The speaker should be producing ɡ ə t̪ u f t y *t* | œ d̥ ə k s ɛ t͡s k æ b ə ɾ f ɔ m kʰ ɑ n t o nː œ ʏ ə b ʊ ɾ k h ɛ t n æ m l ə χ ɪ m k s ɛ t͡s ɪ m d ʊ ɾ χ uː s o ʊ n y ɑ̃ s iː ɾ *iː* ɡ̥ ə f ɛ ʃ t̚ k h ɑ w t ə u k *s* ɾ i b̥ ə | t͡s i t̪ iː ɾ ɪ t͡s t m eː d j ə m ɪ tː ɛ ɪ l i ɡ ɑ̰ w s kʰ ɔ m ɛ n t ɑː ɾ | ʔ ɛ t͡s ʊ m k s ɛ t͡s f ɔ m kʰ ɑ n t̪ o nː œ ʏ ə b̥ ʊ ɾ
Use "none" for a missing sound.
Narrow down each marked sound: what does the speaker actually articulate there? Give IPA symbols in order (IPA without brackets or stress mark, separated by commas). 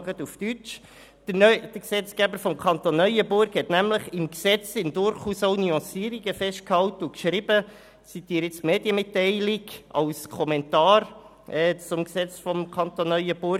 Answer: t͡ʃ, i, ʃ